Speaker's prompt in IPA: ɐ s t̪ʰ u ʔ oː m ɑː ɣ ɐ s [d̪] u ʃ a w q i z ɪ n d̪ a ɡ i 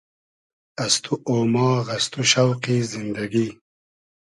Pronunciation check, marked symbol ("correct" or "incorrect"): incorrect